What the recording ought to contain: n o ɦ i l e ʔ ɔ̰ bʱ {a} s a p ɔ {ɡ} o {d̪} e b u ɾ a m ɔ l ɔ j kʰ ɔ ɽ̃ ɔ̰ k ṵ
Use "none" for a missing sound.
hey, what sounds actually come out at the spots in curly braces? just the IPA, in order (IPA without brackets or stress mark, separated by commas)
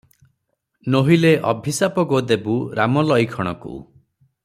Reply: i, ɡ, d̪